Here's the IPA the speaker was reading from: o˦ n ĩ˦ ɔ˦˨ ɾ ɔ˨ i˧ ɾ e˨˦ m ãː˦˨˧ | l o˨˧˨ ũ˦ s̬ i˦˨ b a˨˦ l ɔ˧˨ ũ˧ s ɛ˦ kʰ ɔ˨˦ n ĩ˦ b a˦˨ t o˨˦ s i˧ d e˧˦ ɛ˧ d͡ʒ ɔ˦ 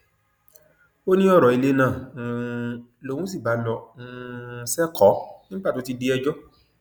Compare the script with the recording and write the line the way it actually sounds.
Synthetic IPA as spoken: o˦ n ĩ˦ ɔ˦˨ ɾ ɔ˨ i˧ l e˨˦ n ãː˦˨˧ | l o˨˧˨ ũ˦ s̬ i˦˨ b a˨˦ l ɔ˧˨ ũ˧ s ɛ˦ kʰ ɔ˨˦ n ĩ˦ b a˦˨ t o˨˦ t i˧ d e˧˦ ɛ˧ d͡ʒ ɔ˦

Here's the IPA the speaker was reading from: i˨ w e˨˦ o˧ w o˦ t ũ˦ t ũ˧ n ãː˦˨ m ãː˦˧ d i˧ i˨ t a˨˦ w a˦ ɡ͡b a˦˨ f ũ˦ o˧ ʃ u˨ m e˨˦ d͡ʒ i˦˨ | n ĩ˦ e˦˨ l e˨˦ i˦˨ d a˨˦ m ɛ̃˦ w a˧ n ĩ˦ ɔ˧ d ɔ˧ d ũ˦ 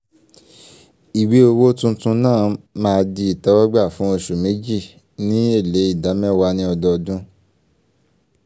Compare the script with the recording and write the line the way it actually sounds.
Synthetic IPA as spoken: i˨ w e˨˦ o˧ w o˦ t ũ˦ t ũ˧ n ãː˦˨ m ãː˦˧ d i˧ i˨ t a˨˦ w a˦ ɡ͡b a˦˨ f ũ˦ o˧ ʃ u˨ m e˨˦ d͡ʒ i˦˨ | n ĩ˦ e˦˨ l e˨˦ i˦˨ d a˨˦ m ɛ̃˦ w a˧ n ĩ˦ ɔ˧ d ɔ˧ d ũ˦

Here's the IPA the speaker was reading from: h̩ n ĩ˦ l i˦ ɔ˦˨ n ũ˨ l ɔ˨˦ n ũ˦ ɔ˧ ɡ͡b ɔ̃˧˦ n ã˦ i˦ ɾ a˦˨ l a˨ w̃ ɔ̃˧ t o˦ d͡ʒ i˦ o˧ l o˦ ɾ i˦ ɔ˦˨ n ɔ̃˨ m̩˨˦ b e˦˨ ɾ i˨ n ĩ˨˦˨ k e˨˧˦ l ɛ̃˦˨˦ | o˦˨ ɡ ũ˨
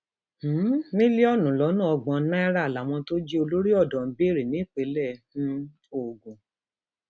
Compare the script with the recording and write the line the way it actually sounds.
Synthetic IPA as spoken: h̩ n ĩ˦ l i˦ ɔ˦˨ n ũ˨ l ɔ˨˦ n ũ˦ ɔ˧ ɡ͡b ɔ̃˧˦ n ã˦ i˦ ɾ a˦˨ l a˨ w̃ ɔ̃˧ t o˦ d͡ʒ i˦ o˧ l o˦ ɾ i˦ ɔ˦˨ d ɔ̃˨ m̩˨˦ b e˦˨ ɾ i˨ n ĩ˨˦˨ k͡p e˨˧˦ l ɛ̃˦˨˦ | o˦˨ ɡ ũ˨

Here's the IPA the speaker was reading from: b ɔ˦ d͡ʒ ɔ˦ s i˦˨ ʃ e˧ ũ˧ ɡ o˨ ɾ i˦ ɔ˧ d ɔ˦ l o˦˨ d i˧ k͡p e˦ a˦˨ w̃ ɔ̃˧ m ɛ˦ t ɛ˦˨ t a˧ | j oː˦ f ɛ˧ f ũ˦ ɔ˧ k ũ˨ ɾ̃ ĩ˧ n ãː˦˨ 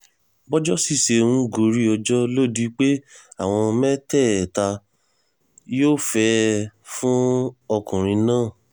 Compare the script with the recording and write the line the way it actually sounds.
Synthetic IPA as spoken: b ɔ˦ d͡ʒ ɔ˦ s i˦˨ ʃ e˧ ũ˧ ɡ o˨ ɾ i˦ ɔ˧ d͡ʒ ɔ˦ l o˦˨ d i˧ k͡p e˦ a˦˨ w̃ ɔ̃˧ m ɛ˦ t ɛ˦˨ t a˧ | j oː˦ f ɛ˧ f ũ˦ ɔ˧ k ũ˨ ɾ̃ ĩ˧ n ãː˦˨

